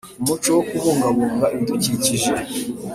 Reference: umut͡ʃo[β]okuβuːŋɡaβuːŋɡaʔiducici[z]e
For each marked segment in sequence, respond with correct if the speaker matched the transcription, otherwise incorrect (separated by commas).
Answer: incorrect, incorrect